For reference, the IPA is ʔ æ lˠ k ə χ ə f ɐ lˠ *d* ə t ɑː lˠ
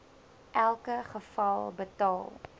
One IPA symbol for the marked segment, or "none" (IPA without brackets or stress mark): b